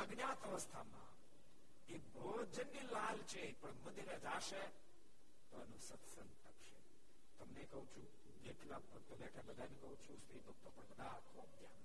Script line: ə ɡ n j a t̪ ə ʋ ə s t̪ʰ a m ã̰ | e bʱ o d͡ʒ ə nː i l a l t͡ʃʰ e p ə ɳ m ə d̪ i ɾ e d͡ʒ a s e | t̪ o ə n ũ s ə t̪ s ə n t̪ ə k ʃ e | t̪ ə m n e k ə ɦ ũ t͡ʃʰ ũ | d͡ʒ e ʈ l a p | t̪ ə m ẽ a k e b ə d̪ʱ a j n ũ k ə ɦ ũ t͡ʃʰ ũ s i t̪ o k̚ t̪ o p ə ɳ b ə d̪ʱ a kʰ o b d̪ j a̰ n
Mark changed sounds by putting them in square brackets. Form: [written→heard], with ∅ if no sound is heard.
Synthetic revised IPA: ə ɡ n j a t̪ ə ʋ ə s t̪ʰ a m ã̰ | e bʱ o d͡ʒ ə nː i l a l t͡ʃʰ e p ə ɳ m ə d̪ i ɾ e d͡ʒ a [s→ʃ] e | t̪ o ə n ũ s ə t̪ s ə n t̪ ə k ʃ e | t̪ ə m n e k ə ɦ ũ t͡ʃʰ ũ | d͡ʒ e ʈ l a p | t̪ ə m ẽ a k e b ə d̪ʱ a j n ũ k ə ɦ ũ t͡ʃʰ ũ s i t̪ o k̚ t̪ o p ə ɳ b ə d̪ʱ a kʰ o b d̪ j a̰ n